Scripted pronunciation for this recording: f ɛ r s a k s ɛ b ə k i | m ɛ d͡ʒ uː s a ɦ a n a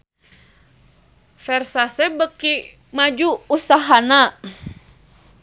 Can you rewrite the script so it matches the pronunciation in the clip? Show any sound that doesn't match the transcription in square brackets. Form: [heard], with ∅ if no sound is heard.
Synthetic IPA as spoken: f ɛ r s a [∅] s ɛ b ə k i | m [a] d͡ʒ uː s a ɦ a n a